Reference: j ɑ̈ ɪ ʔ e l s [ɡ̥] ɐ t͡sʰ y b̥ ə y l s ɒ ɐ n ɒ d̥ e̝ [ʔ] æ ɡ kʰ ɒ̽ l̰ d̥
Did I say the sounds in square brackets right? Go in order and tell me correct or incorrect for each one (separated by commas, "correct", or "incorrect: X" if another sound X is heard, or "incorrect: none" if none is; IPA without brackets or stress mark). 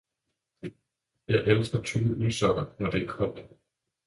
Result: correct, incorrect: none